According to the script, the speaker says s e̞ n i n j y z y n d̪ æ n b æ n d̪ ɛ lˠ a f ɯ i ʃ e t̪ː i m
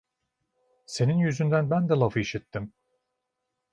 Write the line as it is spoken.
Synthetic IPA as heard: s e̞ n i n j y z y n d̪ æ n b æ n d̪ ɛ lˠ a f ɯ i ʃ i t̪ː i m